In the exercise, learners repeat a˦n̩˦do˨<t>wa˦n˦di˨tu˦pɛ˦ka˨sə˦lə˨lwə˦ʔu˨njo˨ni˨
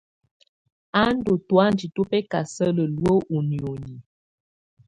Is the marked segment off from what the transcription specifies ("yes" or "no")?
no